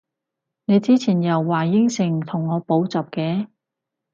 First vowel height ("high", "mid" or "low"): mid